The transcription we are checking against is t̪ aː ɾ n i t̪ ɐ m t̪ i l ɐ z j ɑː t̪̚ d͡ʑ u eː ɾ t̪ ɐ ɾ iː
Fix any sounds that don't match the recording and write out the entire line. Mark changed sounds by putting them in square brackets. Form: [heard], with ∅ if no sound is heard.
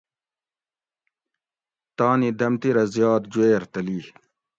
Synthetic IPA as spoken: t̪ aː [∅] n i [d̪] ɐ m t̪ i [ɾ] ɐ z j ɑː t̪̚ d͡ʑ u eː ɾ t̪ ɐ [l] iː